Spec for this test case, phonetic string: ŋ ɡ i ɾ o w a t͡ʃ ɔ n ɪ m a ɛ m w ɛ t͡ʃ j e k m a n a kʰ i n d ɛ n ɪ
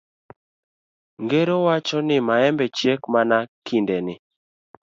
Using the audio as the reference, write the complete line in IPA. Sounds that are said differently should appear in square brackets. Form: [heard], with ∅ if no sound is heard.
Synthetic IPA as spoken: ŋ ɡ [e] ɾ o w a t͡ʃ ɔ n ɪ m a ɛ m [b] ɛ t͡ʃ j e k m a n a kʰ i n d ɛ n ɪ

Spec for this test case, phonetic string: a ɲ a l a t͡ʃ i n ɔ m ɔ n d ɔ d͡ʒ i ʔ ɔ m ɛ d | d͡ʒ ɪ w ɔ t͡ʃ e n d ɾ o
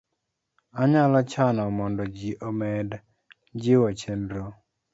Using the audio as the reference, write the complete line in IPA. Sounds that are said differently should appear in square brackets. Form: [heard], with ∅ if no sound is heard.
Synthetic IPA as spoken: a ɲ a l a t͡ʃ [a] n ɔ m ɔ n d ɔ d͡ʒ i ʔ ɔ m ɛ d | d͡ʒ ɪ w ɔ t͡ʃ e n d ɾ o

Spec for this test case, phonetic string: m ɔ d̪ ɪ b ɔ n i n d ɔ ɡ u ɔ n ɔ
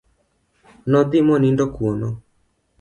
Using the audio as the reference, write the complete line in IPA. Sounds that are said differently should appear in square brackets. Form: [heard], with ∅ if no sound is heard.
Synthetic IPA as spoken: [n] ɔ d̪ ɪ [m] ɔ n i n d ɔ [k] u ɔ n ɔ

